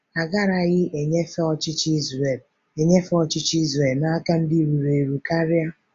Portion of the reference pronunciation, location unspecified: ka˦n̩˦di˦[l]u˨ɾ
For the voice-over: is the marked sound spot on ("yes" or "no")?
no